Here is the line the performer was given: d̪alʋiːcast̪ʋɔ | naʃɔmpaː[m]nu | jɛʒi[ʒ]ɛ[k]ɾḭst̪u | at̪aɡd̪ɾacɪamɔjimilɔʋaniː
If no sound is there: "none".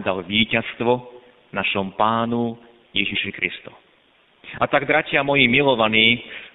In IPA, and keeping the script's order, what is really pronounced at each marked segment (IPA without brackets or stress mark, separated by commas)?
none, ʃ, k